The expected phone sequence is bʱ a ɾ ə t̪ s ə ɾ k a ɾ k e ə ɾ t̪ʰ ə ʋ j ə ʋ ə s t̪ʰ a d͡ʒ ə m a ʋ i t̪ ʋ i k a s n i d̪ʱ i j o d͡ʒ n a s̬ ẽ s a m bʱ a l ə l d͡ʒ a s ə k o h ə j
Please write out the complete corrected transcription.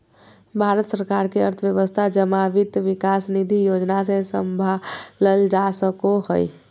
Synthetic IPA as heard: bʱ a ɾ ə t̪ s ə ɾ k a ɾ k e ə ɾ t̪ʰ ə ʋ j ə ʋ ə s t̪ʰ a d͡ʒ ə m a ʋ i t̪ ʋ i k a s n i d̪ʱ i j o d͡ʒ n a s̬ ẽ s ə m bʱ a l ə l d͡ʒ a s ə k o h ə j